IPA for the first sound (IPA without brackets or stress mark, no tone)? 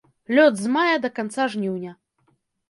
lʲ